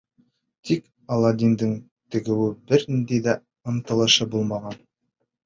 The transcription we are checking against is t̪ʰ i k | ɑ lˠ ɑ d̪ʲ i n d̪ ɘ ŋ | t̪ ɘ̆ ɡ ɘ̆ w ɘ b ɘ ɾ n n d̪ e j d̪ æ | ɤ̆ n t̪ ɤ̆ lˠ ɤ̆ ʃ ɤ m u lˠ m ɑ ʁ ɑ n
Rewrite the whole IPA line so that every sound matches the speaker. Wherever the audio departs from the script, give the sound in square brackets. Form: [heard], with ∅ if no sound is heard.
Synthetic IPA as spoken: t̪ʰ i k | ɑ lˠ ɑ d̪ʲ i n d̪ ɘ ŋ | t̪ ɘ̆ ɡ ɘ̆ w ɘ b ɘ ɾ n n d̪ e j d̪ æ | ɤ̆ n t̪ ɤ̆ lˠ ɤ̆ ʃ ɤ [b] u lˠ m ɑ ʁ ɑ n